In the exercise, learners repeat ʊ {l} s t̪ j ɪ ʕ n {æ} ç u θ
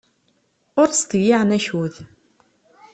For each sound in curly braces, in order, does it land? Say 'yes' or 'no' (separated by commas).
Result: no, yes